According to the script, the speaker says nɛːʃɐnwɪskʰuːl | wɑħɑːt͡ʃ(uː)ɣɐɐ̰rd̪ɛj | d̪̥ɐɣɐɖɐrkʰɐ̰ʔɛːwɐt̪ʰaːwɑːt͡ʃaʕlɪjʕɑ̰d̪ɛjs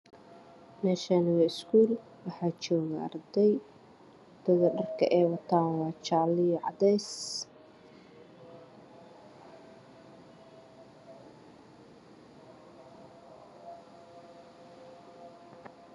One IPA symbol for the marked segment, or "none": ɔː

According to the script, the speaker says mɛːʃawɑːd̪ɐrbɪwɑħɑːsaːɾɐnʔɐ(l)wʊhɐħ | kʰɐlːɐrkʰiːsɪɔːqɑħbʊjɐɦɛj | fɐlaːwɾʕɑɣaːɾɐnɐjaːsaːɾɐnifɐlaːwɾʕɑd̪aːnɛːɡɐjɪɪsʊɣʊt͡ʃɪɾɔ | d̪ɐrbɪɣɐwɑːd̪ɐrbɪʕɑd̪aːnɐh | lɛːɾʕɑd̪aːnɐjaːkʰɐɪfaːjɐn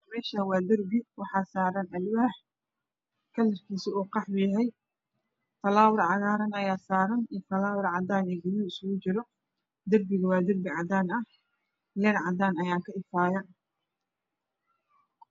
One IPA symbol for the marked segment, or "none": l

